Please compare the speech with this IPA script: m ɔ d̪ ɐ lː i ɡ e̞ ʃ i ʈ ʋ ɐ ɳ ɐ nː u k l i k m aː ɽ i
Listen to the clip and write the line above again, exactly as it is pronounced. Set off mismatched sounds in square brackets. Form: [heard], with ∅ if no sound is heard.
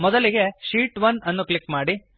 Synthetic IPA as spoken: m ɔ d̪ ɐ [l] i ɡ e̞ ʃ [iː] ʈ ʋ ɐ [n] ɐ nː u k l i k m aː ɽ i